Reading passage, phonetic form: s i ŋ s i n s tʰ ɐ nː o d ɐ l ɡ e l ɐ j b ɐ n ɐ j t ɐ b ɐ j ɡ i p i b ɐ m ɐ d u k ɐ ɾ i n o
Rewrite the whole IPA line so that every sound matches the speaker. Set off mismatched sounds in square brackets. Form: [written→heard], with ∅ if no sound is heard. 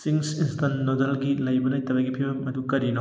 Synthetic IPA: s i ŋ s i n s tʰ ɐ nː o d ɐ l ɡ [e→i] l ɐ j b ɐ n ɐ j t ɐ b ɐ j ɡ i [p→pʰ] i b ɐ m ɐ d u k ɐ ɾ i n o